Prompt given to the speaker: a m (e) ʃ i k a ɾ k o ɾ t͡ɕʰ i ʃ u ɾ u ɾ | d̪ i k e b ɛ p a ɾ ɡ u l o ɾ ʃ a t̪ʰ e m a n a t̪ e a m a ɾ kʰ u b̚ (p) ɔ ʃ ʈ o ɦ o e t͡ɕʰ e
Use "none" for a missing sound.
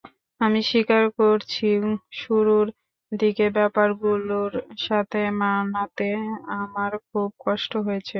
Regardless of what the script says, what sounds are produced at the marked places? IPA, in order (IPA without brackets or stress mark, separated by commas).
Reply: i, k